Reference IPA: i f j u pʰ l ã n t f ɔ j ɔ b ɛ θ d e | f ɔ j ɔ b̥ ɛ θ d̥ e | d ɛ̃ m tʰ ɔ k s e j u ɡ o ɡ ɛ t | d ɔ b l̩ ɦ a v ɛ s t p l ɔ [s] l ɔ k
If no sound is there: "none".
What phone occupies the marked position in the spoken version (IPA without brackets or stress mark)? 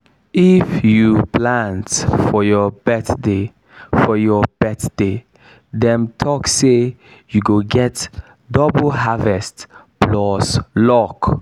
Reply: s